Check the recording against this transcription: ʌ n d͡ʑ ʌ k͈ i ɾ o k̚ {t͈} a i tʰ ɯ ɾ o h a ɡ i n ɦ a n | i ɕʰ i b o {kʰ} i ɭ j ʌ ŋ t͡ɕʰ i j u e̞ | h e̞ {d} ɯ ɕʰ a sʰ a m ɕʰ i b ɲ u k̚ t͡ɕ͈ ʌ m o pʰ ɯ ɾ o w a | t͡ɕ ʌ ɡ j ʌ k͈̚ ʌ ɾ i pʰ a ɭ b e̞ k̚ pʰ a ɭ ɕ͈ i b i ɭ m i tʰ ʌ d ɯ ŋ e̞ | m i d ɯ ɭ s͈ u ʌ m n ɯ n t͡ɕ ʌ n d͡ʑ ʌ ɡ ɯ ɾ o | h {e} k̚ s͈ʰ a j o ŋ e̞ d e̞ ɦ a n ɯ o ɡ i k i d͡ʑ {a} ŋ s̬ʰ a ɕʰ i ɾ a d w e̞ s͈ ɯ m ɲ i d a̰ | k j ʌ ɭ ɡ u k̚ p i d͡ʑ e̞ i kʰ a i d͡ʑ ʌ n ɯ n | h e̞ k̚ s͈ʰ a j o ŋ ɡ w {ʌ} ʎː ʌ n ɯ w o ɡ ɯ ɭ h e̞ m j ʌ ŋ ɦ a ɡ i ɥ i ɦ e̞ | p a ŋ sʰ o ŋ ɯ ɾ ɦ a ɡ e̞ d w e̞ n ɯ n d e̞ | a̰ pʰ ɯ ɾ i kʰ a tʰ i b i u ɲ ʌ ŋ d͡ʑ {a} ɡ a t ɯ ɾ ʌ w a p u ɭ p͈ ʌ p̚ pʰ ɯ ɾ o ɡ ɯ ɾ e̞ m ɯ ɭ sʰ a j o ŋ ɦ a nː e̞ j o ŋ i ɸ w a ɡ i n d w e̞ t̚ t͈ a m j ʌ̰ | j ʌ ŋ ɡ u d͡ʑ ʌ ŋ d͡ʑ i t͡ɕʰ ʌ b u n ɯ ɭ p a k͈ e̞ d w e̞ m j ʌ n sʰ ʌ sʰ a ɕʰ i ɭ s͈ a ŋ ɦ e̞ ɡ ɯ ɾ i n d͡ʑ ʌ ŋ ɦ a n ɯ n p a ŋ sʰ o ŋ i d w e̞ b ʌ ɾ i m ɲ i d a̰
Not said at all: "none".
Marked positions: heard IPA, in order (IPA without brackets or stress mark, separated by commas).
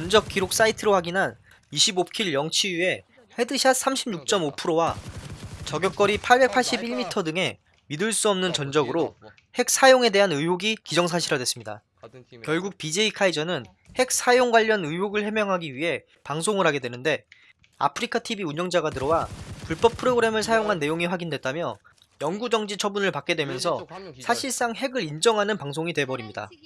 s͈, kʰ, d, e, ʌ, a, a